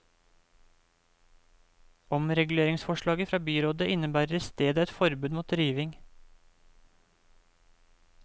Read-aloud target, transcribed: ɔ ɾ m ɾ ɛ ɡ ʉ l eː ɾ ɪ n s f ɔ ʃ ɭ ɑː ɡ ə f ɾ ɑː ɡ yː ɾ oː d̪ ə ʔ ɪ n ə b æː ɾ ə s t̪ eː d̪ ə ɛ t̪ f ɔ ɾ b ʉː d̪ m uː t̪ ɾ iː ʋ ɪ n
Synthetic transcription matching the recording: ɔ m ɾ ɛ ɡ ʉ l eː ɾ ɪ ŋ s f ɔ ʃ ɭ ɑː ɡ ə f ɾ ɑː b yː ɾ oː d̪ ə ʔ ɪ n ə b æː ɾ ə s t̪ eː d̪ ə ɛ t̪ f ɔ ɾ b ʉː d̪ m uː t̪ ɾ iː ʋ ɪ ŋ